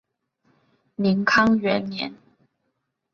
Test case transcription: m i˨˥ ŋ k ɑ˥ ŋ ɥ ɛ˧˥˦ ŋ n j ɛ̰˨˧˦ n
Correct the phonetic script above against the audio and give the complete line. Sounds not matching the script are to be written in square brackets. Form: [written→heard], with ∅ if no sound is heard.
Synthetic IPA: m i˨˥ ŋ [k→kʰ] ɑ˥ ŋ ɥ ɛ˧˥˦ [ŋ→n] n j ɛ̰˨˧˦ n